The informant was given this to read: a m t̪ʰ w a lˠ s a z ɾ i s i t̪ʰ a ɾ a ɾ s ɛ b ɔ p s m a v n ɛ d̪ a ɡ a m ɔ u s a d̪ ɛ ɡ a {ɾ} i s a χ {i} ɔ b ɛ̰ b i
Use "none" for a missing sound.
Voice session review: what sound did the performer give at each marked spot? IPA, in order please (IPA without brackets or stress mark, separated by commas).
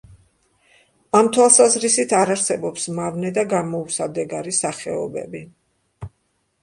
ɾ, ɛ